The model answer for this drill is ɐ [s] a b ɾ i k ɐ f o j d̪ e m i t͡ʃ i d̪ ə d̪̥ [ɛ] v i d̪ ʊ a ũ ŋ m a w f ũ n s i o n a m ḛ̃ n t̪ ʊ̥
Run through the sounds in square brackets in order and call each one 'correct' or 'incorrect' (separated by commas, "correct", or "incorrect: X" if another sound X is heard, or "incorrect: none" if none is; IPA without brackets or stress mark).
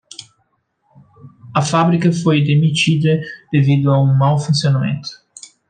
incorrect: f, incorrect: e